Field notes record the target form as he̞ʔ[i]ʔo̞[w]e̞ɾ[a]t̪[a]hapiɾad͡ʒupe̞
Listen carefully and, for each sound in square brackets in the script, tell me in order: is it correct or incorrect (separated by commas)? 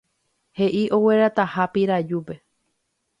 correct, correct, correct, correct